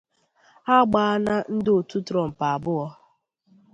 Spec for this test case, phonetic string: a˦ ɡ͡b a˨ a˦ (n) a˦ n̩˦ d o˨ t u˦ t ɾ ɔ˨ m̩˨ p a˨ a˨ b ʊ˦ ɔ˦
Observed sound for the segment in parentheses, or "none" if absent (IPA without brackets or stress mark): n